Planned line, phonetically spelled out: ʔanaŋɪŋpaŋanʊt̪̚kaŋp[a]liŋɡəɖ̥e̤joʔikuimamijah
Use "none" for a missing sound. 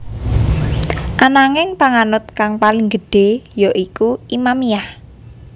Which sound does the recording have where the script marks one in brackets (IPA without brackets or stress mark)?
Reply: a